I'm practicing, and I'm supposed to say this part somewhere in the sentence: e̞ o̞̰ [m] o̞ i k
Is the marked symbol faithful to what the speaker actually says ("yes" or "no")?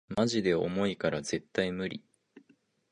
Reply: yes